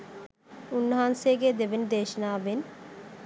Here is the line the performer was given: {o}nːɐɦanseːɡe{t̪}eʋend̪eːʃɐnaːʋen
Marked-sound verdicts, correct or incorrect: incorrect: u, incorrect: d̪

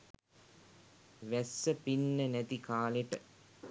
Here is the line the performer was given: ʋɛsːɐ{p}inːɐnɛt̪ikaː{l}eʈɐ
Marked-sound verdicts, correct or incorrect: correct, correct

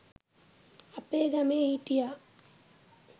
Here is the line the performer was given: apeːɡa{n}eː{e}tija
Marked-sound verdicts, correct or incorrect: incorrect: m, incorrect: i

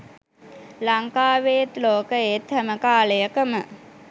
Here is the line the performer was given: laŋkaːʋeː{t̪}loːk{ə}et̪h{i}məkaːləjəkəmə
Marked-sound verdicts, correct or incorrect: correct, correct, incorrect: æ

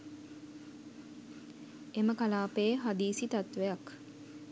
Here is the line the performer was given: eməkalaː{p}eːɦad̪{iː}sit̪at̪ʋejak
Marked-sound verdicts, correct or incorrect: correct, correct

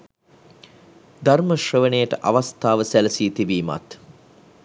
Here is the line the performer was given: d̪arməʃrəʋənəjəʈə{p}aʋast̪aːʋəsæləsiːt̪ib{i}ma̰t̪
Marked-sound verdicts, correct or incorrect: incorrect: ʔ, incorrect: iː

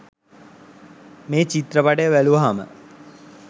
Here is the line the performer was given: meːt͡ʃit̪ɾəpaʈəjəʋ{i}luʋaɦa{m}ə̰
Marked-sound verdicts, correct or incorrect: incorrect: æ, correct

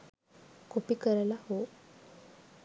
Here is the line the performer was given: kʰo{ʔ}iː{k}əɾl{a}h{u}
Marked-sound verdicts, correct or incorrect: incorrect: p, correct, correct, incorrect: o

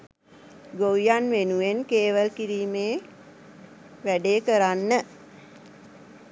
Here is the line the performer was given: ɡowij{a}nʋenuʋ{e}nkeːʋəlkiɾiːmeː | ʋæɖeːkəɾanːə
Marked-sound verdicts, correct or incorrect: correct, correct

